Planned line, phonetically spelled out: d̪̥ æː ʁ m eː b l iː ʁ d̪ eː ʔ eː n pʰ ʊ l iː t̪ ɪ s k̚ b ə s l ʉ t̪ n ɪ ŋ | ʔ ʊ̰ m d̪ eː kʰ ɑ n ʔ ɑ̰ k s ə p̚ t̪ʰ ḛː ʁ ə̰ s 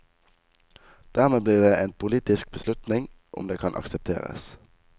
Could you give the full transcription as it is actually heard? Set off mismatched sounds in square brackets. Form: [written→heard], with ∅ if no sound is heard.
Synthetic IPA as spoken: d̪̥ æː ʁ m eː b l iː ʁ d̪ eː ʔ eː n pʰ ʊ l iː t̪ ɪ s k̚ b ə s l ʉ t̪ n ɪ ŋ | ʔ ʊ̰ m d̪ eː kʰ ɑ n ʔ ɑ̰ k s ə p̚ t̪ʰ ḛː ʁ ə̰ s